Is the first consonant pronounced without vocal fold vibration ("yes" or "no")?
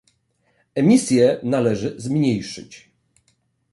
no